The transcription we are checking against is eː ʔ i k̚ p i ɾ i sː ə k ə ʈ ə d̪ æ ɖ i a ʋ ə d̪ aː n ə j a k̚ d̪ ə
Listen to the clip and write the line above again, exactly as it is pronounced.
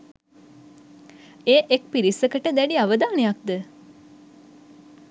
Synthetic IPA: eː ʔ e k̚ p i ɾ i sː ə k ə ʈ ə d̪ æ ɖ i a ʋ ə d̪ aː n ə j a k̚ d̪ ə